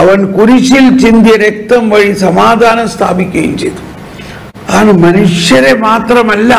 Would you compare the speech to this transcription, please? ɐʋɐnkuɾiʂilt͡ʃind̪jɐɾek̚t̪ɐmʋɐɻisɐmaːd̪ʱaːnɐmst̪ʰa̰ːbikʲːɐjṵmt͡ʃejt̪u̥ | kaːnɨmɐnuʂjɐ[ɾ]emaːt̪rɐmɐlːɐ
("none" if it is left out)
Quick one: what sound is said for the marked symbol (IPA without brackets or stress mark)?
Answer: ɾ